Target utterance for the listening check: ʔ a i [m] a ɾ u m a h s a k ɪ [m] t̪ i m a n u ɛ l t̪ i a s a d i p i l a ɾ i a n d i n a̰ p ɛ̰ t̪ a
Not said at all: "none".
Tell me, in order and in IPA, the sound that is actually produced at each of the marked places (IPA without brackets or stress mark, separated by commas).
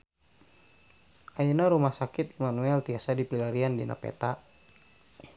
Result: n, none